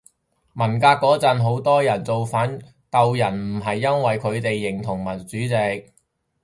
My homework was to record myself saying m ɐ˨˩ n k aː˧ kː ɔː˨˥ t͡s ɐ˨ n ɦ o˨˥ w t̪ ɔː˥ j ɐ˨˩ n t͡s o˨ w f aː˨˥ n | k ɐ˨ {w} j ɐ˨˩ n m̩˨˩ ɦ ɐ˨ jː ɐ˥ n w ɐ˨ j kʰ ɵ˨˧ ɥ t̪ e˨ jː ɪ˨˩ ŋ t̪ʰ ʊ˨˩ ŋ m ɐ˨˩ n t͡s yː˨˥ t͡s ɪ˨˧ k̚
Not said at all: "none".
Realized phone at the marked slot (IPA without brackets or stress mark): w